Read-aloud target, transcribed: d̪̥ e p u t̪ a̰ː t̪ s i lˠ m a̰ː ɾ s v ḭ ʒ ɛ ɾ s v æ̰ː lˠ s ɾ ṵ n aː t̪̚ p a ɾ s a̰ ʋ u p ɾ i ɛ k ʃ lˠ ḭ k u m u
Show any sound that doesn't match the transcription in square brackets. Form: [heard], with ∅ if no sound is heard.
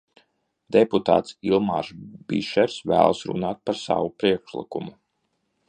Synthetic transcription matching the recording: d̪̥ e p u t̪ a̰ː t̪ s i lˠ m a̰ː ɾ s [b] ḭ [ʃ] ɛ ɾ s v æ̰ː lˠ s ɾ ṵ n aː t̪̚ p a ɾ s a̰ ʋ u p ɾ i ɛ k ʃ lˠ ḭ k u m u